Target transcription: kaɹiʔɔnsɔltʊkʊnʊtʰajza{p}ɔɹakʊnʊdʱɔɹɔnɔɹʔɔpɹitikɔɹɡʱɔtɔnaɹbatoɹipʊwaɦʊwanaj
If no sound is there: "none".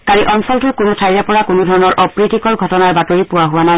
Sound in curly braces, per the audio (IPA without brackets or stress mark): p